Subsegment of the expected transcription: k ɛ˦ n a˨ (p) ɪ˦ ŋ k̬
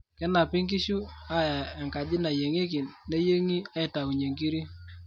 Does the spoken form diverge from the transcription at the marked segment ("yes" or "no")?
no